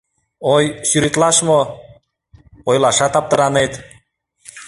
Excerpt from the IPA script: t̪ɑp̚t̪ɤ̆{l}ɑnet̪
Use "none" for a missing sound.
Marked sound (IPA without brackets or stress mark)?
ɾ